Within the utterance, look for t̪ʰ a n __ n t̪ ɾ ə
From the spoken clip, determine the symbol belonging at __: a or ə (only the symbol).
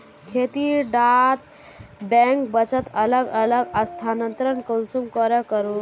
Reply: ə